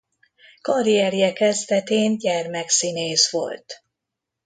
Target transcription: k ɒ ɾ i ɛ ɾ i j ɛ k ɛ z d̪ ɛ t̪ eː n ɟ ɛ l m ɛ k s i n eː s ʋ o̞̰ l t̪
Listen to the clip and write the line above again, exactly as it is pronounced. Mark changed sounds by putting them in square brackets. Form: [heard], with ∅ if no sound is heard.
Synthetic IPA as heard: k ɒ ɾ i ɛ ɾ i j ɛ k ɛ z d̪ ɛ t̪ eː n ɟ ɛ [r] m ɛ k s i n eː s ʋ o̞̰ l t̪